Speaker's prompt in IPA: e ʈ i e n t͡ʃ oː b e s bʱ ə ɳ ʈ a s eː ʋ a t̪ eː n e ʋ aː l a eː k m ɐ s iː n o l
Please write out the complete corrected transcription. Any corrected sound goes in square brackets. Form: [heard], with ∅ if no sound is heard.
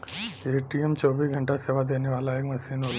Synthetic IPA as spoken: e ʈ i e [m] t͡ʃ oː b [i] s [ɡʱ] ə ɳ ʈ a s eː ʋ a [d̪] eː n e ʋ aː l a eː k m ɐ s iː n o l